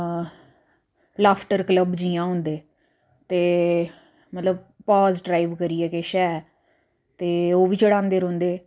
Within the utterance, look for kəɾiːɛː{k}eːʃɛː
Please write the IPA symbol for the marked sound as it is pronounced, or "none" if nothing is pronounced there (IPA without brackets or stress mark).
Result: k